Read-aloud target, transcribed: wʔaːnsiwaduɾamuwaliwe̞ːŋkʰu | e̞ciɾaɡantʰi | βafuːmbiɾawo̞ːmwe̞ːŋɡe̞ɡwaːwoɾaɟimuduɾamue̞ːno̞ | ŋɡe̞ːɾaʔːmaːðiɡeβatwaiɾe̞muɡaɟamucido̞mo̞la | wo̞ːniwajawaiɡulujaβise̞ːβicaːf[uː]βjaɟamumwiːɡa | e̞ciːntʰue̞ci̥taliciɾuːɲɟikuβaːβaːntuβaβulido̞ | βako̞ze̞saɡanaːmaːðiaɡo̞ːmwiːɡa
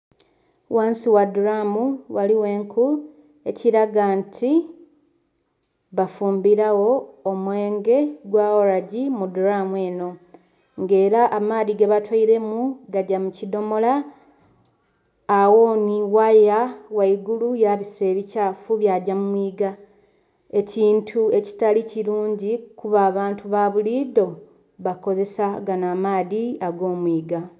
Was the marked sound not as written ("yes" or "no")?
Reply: yes